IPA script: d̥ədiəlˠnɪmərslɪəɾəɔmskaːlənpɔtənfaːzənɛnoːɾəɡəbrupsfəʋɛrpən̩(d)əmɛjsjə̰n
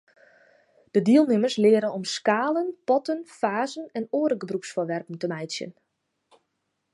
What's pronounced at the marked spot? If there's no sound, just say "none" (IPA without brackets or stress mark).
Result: t